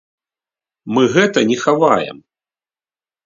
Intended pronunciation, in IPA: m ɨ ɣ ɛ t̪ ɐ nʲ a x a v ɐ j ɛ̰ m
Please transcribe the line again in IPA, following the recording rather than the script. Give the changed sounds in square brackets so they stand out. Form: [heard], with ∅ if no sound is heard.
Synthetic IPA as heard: m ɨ ɣ ɛ t̪ ɐ nʲ [ɛ] x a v [a] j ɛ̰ m